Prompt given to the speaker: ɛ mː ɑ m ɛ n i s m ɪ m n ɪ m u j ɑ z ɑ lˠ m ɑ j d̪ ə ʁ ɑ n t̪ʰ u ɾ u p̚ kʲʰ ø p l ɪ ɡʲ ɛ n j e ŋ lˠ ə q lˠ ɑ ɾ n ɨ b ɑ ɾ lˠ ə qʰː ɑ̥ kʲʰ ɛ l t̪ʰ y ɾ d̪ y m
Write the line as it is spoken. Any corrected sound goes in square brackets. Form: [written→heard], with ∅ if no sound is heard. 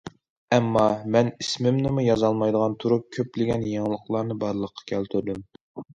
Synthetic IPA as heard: ɛ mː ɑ m ɛ n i s m ɪ m n ɪ m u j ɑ z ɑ lˠ m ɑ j d̪ ə ʁ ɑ n t̪ʰ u ɾ u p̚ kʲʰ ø p l ɪ ɡʲ ɛ n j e ŋ lˠ ə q lˠ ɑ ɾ n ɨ b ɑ ɾ lˠ ə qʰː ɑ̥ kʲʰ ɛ l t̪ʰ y ɾ d̪ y m

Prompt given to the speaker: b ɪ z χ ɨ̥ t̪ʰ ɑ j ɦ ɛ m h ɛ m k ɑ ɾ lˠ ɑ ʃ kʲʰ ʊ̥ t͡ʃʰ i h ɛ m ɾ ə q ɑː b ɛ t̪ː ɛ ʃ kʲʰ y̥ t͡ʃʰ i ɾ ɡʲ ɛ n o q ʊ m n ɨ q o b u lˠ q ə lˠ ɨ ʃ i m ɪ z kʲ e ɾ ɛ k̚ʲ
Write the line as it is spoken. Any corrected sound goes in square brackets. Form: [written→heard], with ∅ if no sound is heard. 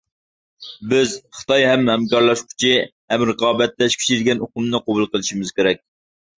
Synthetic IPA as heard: b ɪ z χ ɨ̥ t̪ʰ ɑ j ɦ ɛ m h ɛ m k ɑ ɾ lˠ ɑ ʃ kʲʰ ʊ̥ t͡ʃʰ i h ɛ m ɾ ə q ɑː b ɛ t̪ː ɛ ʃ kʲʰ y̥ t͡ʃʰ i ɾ ɡʲ ɛ n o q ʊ m n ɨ q o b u lˠ q ə lˠ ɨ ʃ i m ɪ z kʲ e ɾ ɛ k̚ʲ

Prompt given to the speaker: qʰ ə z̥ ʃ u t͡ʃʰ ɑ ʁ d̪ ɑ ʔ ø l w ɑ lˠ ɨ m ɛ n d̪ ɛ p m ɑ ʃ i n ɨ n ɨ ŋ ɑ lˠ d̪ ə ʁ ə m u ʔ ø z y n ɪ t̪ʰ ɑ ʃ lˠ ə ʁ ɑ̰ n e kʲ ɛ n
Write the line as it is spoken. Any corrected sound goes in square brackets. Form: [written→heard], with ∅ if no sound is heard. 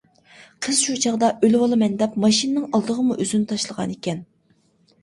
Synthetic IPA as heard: qʰ ə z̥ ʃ u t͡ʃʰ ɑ ʁ d̪ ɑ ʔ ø l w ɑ lˠ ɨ m ɛ n d̪ ɛ p m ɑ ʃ i n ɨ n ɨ ŋ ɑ lˠ d̪ ə ʁ ə m u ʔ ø z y n ɪ t̪ʰ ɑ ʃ lˠ ə ʁ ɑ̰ n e kʲ ɛ n

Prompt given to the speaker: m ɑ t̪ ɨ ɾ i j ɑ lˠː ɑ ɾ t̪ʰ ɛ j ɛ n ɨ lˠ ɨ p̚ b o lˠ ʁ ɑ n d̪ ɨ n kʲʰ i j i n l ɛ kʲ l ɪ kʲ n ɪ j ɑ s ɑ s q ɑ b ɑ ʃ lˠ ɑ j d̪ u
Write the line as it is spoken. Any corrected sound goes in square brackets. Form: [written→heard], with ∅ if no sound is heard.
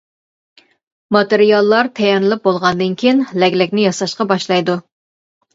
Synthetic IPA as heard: m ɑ t̪ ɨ ɾ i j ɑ lˠː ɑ ɾ t̪ʰ ɛ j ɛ n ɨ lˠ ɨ p̚ b o lˠ ʁ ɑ n d̪ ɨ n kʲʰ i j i n l ɛ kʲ l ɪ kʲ n ɪ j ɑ s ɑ [s→ʃ] q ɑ b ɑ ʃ lˠ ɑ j d̪ u

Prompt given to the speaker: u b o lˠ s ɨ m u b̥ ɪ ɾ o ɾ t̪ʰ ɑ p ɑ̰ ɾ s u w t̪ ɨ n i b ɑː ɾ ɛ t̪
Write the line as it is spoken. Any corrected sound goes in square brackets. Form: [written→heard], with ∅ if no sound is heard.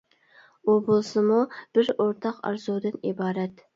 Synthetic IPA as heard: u b o lˠ s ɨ m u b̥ ɪ ɾ o ɾ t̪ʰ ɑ [p→q] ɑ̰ ɾ [s→z] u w [t̪→d̪] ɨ n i b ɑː ɾ ɛ t̪

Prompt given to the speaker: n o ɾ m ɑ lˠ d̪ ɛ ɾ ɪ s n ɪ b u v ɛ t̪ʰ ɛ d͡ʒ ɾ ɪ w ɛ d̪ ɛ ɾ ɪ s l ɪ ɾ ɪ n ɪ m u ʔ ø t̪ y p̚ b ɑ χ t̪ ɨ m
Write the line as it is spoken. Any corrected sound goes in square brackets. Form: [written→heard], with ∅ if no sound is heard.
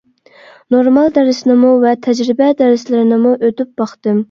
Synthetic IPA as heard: n o ɾ m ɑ lˠ d̪ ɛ ɾ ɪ s n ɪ [b→m] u v ɛ t̪ʰ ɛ d͡ʒ ɾ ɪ [w→b] ɛ d̪ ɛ ɾ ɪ s l ɪ ɾ ɪ n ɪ m u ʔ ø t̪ y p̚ b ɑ χ t̪ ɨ m

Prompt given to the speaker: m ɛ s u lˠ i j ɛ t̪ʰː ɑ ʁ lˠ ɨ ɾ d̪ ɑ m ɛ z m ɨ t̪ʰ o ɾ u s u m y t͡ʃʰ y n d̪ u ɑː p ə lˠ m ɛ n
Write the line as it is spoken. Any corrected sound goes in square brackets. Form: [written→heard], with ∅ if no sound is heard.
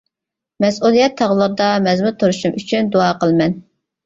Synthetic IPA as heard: m ɛ s u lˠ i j ɛ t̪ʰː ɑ ʁ lˠ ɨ ɾ d̪ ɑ m ɛ z m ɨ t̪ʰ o ɾ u [s→ʃ] u m y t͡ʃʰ y n d̪ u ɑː [p→q] ə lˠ m ɛ n

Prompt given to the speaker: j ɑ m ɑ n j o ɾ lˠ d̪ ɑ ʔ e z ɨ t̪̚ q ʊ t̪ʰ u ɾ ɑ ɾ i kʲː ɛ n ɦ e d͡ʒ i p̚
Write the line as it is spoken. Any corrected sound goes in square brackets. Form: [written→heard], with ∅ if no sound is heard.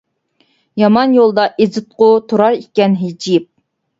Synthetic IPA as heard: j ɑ m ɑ n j o [ɾ→∅] lˠ d̪ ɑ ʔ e z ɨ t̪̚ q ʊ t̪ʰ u ɾ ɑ ɾ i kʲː ɛ n ɦ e d͡ʒ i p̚

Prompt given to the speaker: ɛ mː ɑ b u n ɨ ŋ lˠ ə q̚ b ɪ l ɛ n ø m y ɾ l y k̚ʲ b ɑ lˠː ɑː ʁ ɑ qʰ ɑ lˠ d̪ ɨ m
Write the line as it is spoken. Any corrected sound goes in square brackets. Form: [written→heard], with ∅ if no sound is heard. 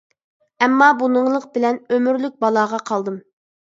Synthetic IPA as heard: ɛ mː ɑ b u n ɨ ŋ lˠ ə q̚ b ɪ l ɛ n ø m y ɾ l y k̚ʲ b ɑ [lˠː→lˠ] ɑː ʁ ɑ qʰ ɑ lˠ d̪ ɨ m

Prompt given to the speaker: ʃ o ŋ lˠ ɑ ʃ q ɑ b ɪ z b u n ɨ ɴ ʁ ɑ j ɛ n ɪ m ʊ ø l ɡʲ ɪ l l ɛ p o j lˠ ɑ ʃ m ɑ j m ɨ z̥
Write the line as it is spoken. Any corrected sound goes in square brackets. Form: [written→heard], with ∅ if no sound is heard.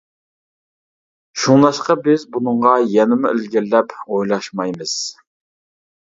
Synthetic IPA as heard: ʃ [o→u] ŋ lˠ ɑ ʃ q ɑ b ɪ z b u n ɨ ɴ ʁ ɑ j ɛ n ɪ m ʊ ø l ɡʲ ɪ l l ɛ p o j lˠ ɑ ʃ m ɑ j m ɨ z̥

